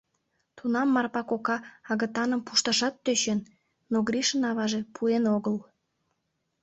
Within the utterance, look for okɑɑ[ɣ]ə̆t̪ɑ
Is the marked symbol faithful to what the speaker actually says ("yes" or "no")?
yes